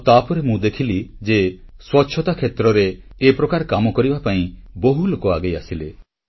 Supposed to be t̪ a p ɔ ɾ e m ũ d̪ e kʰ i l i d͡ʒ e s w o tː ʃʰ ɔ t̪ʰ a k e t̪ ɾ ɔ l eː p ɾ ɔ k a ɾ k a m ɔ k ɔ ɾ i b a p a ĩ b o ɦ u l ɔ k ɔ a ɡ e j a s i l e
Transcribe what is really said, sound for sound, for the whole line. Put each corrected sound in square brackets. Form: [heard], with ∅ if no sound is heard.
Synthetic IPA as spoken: t̪ a p ɔ ɾ e m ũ d̪ e kʰ i l i d͡ʒ e s w [ɔ] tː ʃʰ ɔ [t̪] a [kʰ] e t̪ ɾ ɔ [ɾ] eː p ɾ ɔ k a ɾ k a m ɔ k ɔ ɾ i b a p a ĩ b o ɦ u l [o] k ɔ a ɡ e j a s i l e